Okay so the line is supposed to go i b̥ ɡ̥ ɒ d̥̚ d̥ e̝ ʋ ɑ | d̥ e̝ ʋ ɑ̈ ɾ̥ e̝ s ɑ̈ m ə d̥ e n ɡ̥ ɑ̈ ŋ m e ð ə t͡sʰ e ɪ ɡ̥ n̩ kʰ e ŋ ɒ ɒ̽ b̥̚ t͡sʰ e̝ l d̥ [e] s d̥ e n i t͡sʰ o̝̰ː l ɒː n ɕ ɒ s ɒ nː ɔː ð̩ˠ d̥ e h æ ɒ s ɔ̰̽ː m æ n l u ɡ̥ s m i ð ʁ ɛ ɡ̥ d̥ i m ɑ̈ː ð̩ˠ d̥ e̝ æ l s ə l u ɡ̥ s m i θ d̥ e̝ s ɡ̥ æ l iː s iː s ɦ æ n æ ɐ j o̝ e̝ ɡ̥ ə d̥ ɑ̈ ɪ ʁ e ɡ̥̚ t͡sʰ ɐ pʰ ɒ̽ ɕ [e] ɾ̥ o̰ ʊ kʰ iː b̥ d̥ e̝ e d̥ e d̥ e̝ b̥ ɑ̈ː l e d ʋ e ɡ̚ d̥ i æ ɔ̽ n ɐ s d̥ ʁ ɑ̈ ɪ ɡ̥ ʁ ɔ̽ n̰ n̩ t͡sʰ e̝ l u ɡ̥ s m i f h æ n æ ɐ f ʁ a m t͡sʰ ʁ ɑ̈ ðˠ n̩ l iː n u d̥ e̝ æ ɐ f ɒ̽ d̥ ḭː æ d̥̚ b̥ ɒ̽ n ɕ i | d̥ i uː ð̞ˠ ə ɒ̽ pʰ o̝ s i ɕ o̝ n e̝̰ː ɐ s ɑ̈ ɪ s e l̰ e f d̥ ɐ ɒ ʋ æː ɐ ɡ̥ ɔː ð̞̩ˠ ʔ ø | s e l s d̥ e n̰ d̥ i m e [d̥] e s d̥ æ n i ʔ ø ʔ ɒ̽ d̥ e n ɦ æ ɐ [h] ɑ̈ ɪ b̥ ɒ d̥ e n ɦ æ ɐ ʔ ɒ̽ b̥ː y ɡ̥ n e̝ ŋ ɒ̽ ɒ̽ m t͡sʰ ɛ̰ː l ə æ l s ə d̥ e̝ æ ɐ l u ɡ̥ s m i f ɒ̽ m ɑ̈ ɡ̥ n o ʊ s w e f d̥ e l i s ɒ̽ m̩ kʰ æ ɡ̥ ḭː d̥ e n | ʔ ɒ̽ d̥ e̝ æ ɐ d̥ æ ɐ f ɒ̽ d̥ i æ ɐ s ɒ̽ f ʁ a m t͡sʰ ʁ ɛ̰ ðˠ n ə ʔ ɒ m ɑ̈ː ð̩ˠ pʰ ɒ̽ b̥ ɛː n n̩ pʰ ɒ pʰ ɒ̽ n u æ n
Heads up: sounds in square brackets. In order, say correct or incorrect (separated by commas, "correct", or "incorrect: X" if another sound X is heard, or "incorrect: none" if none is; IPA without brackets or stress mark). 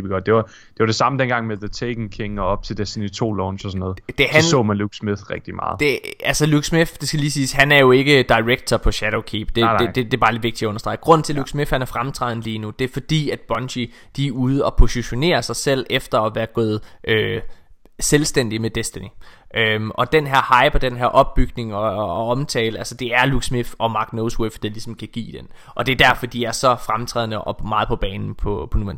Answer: correct, incorrect: æ, correct, correct